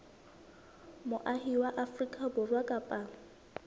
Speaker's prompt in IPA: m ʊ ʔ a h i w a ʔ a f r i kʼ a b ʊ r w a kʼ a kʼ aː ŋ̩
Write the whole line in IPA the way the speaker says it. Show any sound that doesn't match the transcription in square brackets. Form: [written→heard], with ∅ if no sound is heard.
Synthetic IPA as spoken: m ʊ ʔ a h i w a ʔ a f r i kʼ a b ʊ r w a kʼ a [kʼ→pʼ] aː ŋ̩